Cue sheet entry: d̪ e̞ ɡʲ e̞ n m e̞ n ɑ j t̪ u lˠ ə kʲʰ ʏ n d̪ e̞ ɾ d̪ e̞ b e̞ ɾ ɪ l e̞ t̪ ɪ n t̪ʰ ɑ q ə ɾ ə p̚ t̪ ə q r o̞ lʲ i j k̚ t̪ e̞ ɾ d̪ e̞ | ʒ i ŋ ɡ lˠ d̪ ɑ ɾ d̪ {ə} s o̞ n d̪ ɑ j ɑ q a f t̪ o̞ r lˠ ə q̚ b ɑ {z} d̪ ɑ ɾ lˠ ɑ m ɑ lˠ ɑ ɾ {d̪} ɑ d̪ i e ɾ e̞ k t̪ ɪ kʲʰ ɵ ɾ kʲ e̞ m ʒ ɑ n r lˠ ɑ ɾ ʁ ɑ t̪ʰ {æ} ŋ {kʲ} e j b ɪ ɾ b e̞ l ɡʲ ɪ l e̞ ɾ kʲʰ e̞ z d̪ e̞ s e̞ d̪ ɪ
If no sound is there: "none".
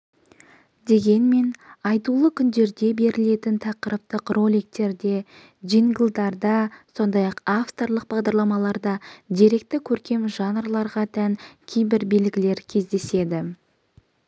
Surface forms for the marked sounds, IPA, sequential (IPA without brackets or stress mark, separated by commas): ɑ, ʁ, d̪, æ, kʲʰ